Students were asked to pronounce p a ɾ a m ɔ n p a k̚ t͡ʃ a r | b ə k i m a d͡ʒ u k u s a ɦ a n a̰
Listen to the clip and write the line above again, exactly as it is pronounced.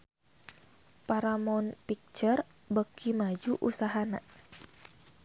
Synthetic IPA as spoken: p a ɾ a m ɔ n p i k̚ t͡ʃ ə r | b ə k i m a d͡ʒ u ʔ u s a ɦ a n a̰